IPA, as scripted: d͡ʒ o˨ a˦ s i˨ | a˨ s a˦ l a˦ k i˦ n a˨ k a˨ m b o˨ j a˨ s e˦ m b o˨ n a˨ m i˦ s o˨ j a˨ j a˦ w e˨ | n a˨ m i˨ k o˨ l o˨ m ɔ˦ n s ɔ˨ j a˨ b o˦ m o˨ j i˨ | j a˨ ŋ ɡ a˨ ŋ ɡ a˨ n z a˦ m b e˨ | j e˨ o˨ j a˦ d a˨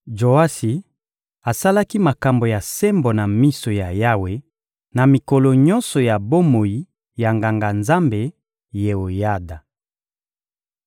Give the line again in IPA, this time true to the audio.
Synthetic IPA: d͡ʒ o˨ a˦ s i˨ | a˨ s a˦ l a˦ k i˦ m a˨ k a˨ m b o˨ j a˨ s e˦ m b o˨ n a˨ m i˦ s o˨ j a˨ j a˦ w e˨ | n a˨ m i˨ k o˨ l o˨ ɲ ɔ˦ n s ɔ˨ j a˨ b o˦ m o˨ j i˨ | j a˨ ŋ ɡ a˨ ŋ ɡ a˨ n z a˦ m b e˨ | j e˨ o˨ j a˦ d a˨